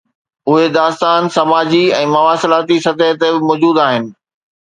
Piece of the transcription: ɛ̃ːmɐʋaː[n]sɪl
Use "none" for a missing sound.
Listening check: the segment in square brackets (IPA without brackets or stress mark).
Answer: none